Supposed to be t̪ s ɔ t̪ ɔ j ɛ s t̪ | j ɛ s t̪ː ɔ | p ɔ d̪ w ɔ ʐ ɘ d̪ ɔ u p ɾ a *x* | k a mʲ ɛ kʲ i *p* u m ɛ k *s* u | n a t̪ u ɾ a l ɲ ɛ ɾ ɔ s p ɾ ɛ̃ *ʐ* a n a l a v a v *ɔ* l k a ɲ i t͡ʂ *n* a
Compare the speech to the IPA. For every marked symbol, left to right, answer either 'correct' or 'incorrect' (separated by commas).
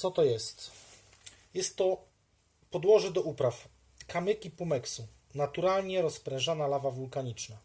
incorrect, correct, correct, correct, incorrect, correct